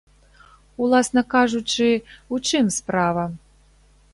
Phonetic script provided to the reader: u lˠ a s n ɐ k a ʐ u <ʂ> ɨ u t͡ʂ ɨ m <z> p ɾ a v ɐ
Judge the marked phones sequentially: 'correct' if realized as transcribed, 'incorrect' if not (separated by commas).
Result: incorrect, incorrect